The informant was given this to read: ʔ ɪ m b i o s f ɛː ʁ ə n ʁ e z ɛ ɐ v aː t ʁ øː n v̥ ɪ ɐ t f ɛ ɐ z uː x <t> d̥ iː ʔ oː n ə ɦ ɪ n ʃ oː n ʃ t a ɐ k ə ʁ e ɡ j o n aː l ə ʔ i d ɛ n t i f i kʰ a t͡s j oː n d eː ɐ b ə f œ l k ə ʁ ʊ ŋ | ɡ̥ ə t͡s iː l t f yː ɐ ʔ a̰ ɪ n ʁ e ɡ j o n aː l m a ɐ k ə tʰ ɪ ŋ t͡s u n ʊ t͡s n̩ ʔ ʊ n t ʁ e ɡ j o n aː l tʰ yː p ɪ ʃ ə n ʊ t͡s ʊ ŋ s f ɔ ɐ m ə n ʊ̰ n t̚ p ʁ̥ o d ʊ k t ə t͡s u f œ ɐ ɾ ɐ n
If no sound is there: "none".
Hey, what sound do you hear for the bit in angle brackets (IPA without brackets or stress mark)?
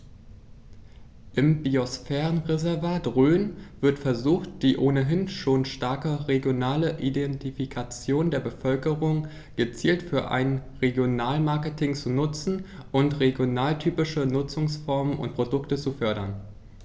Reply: t